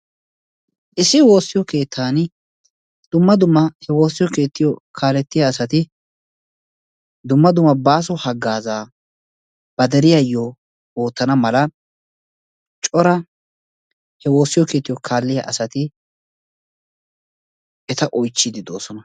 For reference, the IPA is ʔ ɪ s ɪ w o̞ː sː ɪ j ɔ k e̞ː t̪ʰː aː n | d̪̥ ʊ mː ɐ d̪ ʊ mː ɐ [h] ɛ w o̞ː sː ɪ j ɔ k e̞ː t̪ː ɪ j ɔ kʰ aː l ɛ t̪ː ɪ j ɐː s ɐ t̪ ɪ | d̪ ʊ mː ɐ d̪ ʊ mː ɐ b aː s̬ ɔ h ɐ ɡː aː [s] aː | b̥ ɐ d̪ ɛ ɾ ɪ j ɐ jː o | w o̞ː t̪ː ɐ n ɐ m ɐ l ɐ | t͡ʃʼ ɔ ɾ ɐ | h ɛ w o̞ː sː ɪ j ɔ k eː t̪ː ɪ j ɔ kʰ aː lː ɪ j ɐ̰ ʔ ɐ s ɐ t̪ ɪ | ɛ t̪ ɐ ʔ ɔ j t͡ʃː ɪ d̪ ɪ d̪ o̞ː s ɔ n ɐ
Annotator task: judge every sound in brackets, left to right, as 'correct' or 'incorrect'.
correct, incorrect

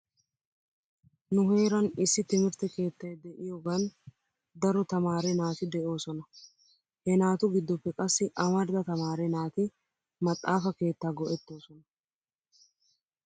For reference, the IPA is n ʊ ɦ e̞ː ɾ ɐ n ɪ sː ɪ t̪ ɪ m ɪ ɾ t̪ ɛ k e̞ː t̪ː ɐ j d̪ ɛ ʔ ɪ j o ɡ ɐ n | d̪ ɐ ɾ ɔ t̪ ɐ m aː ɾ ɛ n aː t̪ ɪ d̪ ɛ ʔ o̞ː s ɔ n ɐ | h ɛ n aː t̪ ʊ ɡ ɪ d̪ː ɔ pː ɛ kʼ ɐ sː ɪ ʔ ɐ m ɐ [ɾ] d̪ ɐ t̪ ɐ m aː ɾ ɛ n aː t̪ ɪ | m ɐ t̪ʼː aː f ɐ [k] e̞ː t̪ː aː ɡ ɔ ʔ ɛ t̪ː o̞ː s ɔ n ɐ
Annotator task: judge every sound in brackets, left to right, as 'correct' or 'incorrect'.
correct, correct

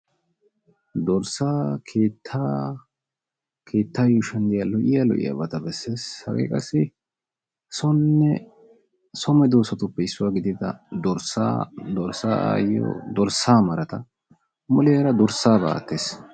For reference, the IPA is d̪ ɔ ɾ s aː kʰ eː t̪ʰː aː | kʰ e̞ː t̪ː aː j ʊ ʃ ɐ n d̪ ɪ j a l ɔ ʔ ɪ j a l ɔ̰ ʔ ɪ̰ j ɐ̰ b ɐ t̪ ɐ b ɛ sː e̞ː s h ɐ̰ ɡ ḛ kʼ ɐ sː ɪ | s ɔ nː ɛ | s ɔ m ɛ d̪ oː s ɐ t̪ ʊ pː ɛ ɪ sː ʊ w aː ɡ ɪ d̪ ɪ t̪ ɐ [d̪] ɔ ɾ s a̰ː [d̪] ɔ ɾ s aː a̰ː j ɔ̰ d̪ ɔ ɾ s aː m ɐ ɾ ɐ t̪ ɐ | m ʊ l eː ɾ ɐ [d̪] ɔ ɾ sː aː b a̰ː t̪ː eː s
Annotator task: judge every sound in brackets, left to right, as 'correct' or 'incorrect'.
correct, correct, correct

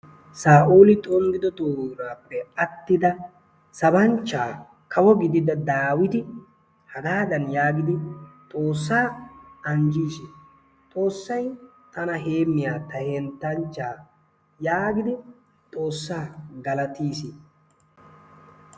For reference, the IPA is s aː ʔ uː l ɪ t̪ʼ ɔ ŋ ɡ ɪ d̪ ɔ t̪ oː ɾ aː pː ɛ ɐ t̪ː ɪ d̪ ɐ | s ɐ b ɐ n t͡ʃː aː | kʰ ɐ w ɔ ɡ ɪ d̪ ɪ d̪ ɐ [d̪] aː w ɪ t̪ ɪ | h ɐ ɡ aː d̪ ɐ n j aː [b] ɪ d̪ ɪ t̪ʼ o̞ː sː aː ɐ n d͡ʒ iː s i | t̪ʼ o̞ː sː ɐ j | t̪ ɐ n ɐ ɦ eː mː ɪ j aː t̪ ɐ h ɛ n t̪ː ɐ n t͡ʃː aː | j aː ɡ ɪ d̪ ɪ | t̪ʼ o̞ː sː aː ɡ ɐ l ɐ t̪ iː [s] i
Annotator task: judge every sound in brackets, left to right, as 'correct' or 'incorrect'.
correct, incorrect, correct

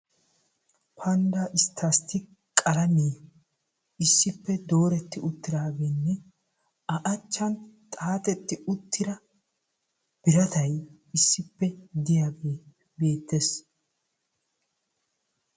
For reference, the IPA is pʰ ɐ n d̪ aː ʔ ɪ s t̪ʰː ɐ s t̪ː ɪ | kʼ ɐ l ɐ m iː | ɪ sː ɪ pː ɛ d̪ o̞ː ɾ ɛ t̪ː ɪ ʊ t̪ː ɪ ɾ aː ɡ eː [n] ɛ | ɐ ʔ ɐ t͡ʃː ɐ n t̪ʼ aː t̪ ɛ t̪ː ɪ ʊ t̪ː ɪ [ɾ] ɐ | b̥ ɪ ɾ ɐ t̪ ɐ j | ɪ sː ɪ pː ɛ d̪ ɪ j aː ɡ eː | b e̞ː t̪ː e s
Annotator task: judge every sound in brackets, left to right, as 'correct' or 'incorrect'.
incorrect, correct

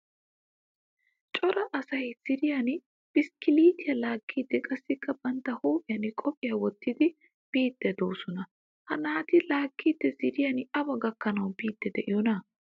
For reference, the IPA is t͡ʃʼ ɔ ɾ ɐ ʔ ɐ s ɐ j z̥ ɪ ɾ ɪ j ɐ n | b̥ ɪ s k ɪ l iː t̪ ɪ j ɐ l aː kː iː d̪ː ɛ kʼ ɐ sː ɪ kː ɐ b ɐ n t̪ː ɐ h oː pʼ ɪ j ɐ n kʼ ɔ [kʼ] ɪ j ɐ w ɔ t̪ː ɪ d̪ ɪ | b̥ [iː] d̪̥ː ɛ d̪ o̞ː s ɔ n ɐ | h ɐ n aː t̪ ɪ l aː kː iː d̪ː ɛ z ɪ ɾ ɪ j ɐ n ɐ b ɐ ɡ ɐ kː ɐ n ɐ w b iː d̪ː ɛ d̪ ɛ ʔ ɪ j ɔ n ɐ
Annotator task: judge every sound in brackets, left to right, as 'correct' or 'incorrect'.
incorrect, correct

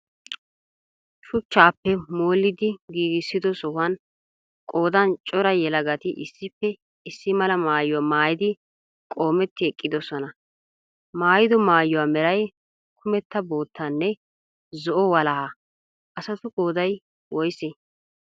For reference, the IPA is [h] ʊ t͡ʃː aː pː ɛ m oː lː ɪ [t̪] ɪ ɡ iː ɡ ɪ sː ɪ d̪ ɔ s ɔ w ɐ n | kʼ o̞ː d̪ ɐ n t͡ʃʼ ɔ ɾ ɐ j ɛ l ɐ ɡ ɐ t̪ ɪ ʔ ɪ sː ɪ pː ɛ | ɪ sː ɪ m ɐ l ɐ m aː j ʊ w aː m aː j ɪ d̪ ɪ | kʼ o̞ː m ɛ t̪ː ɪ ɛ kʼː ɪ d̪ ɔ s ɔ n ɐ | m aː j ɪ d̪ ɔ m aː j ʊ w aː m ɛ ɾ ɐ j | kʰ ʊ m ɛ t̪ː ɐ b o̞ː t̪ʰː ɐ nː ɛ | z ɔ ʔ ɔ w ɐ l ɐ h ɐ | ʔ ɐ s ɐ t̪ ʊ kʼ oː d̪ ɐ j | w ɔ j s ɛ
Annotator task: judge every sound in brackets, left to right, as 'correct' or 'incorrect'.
incorrect, incorrect

